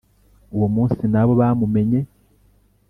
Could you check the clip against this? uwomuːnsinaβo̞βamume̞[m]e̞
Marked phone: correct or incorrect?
incorrect